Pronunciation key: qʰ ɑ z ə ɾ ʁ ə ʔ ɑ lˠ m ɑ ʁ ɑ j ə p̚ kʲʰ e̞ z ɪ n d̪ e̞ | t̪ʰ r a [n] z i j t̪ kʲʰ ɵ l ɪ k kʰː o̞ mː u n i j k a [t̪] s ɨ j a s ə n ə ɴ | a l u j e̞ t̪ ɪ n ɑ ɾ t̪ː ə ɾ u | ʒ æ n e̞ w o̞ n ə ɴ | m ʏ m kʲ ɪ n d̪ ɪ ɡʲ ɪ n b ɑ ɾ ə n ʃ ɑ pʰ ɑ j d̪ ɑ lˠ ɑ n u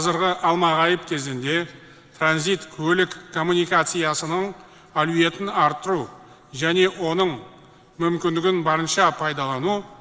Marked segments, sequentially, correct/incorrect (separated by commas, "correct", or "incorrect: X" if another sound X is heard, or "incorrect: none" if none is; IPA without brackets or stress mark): correct, correct